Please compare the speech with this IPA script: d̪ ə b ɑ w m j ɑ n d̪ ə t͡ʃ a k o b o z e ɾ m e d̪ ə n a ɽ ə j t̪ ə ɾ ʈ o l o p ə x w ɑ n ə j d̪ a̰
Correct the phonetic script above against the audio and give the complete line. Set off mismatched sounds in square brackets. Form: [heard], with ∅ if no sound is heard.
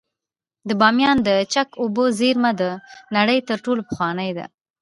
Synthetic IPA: d̪ ə b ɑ [∅] m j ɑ n d̪ ə t͡ʃ a k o b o z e ɾ m [a] d̪ ə n a ɽ ə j t̪ ə ɾ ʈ o l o p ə x w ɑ n ə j d̪ a̰